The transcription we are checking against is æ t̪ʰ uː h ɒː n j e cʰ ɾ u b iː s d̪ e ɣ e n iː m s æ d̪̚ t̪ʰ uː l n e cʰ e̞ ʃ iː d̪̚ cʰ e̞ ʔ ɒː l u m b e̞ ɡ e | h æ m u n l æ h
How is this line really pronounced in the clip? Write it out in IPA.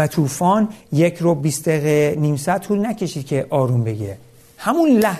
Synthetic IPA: æ t̪ʰ uː f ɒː n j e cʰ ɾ o b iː s d̪ e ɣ e n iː m s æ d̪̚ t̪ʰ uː l n æ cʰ e̞ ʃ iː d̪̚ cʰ e̞ ʔ ɒː ɾ u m b e̞ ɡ e | h æ m u n l æ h